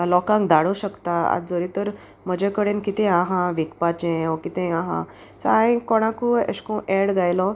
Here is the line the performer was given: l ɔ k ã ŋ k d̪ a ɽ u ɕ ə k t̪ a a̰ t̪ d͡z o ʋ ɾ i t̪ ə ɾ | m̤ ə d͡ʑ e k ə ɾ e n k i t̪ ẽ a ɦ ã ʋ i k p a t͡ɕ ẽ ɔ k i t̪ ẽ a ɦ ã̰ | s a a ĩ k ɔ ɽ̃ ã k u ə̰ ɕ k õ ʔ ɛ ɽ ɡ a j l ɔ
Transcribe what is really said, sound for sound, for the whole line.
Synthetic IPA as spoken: l ɔ k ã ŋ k d̪ a ɽ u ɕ ə k t̪ a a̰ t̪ d͡z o ɾ i t̪ ə ɾ | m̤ ə d͡ʑ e k ə ɽ e n k i t̪ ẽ a ɦ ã ʋ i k p a t͡ɕ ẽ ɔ k i t̪ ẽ a ɦ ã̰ | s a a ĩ k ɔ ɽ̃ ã k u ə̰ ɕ k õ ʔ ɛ ɽ ɡ a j l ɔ